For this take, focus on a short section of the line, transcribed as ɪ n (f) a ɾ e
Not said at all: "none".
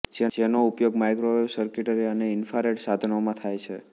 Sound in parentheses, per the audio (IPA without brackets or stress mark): f